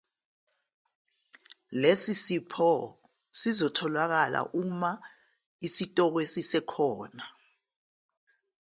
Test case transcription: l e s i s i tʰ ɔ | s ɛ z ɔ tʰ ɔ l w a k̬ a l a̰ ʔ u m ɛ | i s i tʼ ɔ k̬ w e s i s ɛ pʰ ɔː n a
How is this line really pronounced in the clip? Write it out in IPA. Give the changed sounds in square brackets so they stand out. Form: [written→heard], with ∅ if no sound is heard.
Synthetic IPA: l e s i s i [tʰ→pʰ] ɔ | s [ɛ→i] z ɔ tʰ ɔ l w a k̬ a l a̰ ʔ u m [ɛ→a] | i s i tʼ ɔ k̬ w e s i s ɛ [pʰ→kʰ] ɔː n a